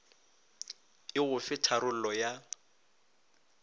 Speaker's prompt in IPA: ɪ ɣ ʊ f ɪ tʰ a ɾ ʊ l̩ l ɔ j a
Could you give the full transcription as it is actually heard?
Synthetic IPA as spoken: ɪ ɣ ʊ f ɪ tʰ a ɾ ʊ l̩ l ɔ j a